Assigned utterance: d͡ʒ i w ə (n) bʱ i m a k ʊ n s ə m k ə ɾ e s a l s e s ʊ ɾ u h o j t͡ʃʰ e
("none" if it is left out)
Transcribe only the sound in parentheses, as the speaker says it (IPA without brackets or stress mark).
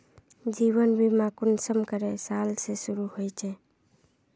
n